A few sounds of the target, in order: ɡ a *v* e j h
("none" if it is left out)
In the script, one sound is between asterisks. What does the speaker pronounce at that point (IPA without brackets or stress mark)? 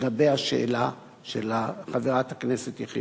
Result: b